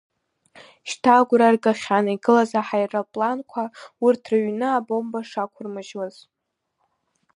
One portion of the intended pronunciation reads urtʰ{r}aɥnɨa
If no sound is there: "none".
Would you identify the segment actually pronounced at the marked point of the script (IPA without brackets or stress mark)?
r